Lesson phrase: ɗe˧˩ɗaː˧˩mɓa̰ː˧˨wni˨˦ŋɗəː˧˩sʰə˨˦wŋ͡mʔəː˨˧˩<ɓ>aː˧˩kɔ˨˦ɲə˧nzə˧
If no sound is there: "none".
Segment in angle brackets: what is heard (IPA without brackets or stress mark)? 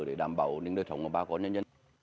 ɓ